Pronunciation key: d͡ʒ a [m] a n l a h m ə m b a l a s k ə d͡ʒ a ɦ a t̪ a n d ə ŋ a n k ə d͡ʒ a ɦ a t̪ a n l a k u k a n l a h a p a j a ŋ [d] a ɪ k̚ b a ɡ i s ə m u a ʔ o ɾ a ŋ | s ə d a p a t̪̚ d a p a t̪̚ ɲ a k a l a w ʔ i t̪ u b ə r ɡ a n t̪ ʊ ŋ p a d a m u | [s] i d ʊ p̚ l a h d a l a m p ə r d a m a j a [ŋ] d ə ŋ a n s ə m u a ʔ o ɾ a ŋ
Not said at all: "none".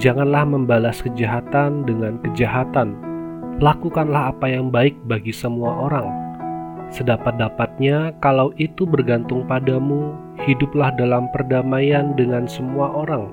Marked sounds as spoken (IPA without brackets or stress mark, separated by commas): ŋ, b, h, n